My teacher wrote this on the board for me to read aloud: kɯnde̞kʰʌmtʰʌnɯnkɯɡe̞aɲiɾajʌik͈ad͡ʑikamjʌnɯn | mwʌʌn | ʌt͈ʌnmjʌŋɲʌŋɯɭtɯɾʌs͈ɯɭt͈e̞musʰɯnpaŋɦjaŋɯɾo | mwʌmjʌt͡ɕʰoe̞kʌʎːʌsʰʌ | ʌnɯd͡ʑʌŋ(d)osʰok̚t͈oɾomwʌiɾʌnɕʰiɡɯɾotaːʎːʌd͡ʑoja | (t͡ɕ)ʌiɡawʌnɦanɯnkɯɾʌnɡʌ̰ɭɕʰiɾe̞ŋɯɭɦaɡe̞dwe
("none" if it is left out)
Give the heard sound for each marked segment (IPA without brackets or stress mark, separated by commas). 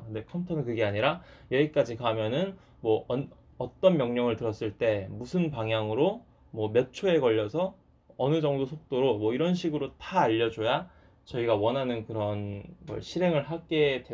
d, t͡ɕ